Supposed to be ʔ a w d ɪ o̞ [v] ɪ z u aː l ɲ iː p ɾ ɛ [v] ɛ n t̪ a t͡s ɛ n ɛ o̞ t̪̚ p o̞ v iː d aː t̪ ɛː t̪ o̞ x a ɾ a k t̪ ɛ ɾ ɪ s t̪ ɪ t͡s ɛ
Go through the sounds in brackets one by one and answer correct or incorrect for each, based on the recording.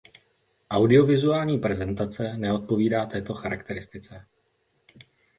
correct, incorrect: z

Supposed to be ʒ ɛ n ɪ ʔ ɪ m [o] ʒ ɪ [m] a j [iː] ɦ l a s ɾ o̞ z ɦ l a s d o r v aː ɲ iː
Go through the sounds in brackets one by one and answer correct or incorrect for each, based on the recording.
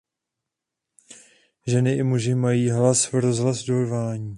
incorrect: u, correct, correct

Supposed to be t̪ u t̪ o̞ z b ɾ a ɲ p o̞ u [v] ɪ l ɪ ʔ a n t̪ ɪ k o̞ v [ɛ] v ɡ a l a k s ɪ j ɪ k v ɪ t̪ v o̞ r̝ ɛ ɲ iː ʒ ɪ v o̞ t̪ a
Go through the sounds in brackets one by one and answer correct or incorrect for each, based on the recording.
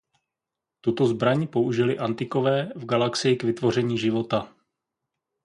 incorrect: ʒ, incorrect: ɛː

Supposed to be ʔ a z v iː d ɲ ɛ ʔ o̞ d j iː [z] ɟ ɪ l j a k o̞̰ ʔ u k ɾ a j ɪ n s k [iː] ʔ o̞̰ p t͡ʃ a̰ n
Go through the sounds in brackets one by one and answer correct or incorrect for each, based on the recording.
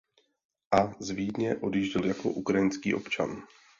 incorrect: ʒ, correct

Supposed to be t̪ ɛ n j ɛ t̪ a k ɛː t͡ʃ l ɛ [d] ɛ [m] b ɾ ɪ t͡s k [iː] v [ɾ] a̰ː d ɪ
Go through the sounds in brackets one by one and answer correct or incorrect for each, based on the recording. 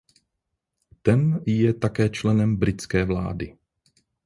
incorrect: n, correct, incorrect: ɛː, incorrect: l

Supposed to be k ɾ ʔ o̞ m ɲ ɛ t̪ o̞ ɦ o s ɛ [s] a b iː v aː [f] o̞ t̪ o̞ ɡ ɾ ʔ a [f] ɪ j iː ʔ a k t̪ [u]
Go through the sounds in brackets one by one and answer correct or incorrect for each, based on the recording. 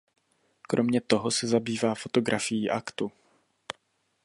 incorrect: z, correct, correct, correct

